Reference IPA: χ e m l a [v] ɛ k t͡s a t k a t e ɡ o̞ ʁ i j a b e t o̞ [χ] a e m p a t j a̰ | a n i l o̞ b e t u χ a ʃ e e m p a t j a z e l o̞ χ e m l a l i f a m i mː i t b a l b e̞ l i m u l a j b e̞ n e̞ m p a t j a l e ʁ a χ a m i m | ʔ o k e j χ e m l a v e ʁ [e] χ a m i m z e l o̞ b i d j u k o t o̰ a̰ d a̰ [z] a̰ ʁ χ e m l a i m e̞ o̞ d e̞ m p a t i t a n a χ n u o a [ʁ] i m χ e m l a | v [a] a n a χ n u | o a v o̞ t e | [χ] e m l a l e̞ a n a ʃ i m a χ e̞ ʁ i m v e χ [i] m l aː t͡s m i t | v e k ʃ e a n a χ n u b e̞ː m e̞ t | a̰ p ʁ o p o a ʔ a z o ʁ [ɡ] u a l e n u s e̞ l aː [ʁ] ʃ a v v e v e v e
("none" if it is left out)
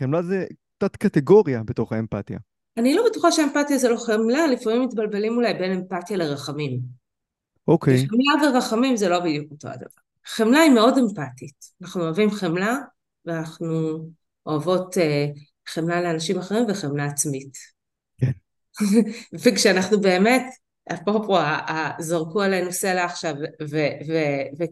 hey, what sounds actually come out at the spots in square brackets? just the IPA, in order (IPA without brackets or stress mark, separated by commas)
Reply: z, χ, a, v, v, e, χ, e, k, χ